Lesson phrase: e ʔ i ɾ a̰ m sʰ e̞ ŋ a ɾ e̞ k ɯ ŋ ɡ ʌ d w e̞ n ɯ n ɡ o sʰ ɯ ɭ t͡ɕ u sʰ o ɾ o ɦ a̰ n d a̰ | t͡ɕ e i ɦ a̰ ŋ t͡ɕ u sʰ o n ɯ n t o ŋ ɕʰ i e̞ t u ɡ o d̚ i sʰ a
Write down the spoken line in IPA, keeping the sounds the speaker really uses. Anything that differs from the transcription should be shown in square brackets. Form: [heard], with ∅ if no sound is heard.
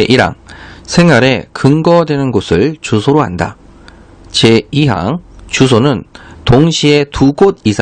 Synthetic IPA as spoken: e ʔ i ɾ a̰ [ŋ] sʰ e̞ ŋ a ɾ e̞ k ɯ ŋ ɡ ʌ d w e̞ n ɯ n ɡ o sʰ ɯ ɭ t͡ɕ u sʰ o ɾ o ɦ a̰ n d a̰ | t͡ɕ e i ɦ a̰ ŋ t͡ɕ u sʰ o n ɯ n t o ŋ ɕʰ i e̞ t u ɡ o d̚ i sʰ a